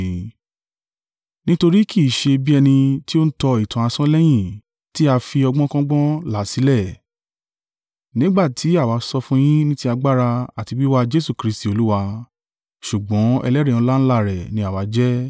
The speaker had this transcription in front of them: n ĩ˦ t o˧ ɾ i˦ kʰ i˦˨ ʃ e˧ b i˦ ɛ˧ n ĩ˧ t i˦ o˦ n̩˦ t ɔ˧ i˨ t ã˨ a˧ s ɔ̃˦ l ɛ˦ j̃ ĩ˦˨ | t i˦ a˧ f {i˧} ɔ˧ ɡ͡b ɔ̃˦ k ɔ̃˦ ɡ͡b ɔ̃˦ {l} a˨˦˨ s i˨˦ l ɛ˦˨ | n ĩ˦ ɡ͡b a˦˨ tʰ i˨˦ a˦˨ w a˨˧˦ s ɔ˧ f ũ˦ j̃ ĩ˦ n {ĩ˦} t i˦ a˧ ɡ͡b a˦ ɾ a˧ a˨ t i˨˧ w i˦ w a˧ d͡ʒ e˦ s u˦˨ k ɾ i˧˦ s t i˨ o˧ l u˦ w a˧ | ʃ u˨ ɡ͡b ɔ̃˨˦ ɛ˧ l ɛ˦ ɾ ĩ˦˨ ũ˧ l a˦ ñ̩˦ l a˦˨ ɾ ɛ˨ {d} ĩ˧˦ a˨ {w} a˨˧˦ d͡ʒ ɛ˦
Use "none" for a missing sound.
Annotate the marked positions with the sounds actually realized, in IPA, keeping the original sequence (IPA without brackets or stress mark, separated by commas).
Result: i˧, l, ĩ˦, n, w